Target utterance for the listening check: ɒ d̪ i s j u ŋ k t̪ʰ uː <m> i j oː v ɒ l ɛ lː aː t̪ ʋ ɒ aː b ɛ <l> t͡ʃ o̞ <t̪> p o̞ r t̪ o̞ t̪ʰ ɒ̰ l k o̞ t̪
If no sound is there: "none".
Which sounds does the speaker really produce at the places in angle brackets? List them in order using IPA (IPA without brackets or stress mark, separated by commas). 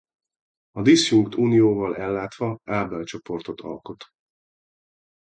n, l, none